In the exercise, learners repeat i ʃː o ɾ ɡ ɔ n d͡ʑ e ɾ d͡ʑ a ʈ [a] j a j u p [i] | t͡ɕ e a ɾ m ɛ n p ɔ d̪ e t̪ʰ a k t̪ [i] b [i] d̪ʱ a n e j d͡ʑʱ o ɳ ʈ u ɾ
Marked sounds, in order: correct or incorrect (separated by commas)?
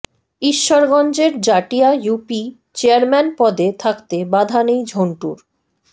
incorrect, correct, incorrect, incorrect